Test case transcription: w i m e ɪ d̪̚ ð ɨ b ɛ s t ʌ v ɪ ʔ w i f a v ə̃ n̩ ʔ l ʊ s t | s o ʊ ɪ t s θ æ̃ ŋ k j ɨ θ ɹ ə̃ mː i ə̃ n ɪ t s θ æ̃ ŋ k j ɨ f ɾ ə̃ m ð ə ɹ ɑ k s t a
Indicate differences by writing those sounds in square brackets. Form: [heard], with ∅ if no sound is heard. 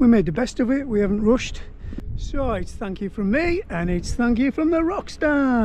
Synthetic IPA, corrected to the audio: w i m e ɪ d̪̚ ð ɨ b ɛ s t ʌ v ɪ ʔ w i [h] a v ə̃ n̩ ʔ [ɹ] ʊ [ʃ] t | s o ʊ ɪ t s θ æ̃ ŋ k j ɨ [f] ɹ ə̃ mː i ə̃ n ɪ t s θ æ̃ ŋ k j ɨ f [ɹ] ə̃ m ð ə ɹ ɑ k s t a

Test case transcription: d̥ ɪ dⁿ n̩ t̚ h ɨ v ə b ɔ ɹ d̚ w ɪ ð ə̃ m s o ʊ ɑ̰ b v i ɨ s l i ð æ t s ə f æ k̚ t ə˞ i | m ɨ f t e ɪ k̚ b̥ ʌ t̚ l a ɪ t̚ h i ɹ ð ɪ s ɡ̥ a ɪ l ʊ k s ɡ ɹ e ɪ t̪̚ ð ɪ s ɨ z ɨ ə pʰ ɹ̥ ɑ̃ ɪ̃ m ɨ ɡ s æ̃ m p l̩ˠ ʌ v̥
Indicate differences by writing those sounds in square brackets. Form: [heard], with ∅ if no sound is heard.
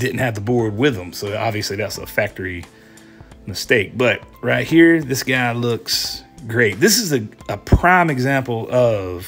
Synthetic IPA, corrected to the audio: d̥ ɪ dⁿ n̩ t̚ h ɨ v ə b ɔ ɹ d̚ w ɪ ð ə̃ m s o ʊ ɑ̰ b v i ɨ s l i ð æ t s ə f æ k̚ t ə˞ i | m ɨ [s] t e ɪ k̚ b̥ ʌ t̚ [ɹ] a ɪ t̚ h i ɹ ð ɪ s ɡ̥ a ɪ l ʊ k s ɡ ɹ e ɪ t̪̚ ð ɪ s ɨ z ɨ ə pʰ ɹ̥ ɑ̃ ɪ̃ m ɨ ɡ [z] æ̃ m p l̩ˠ ʌ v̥

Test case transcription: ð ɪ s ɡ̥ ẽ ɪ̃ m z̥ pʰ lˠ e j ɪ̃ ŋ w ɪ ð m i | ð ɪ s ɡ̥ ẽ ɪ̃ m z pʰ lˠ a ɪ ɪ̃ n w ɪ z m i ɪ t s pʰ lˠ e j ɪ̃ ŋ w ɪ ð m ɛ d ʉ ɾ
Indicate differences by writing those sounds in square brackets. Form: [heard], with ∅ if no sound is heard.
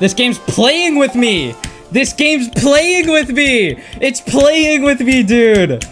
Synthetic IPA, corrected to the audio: ð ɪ s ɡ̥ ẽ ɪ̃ m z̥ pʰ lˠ e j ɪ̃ ŋ w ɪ ð m i | ð ɪ s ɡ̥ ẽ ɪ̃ m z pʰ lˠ [e] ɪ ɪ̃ [ŋ] w ɪ [ð] m i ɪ t s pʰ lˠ e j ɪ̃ ŋ w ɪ ð m [i] d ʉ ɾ

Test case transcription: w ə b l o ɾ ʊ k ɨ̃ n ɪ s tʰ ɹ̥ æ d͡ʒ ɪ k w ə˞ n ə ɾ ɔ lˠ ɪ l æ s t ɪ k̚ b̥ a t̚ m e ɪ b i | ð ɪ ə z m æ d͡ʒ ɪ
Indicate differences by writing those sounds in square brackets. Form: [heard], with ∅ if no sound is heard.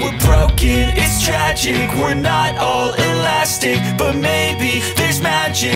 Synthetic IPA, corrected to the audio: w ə b [ɹ] o [∅] ʊ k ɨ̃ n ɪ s tʰ ɹ̥ æ d͡ʒ ɪ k w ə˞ n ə ɾ ɔ lˠ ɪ l æ s t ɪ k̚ b̥ [ʌ] t̚ m e ɪ b i | ð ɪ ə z m æ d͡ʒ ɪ

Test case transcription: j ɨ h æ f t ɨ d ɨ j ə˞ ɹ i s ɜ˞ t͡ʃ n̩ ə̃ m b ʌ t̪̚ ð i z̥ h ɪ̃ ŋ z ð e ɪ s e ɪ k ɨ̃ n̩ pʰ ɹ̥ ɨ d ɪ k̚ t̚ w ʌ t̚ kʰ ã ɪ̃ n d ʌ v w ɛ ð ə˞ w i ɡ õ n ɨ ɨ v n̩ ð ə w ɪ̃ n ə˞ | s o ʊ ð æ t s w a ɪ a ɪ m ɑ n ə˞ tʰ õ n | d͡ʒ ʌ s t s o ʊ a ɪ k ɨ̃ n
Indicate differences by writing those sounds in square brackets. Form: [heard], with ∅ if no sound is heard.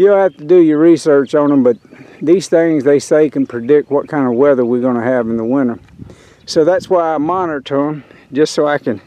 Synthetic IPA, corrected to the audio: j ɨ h æ f t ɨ d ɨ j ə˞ ɹ i s ɜ˞ t͡ʃ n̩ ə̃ m b ʌ t̪̚ ð i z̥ [θ] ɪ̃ ŋ z ð e ɪ s e ɪ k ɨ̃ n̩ pʰ ɹ̥ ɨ d ɪ k̚ t̚ w ʌ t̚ kʰ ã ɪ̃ n d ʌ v w ɛ ð ə˞ w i ɡ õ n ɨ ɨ v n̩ ð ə w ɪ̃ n ə˞ | s o ʊ ð æ t s w a ɪ a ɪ m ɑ n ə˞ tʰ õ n | d͡ʒ ʌ s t s o ʊ a ɪ k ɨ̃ n

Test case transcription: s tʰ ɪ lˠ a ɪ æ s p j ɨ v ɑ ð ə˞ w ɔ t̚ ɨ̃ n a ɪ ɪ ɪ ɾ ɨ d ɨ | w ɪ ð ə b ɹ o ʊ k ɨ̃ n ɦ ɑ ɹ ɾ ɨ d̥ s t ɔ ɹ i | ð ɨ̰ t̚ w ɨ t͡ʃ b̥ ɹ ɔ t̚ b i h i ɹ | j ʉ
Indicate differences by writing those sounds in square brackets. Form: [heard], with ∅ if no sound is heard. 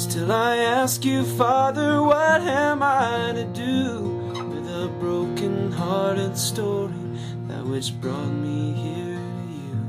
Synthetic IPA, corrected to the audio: s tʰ ɪ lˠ a ɪ æ s [k] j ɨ [f] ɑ ð ə˞ w [ʌ] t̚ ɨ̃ [m] a ɪ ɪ ɪ ɾ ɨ d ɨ | w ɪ ð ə b ɹ o ʊ k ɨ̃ n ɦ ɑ ɹ ɾ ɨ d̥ s t ɔ ɹ i | ð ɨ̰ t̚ w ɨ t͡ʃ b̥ ɹ ɔ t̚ [m] i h i ɹ | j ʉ

